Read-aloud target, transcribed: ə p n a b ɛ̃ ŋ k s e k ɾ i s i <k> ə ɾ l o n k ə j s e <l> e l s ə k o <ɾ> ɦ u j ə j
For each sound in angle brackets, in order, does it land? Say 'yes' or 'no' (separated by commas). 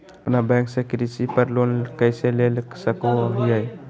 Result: no, yes, no